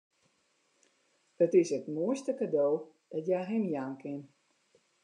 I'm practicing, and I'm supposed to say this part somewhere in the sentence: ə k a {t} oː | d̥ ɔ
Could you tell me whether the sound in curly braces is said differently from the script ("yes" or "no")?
yes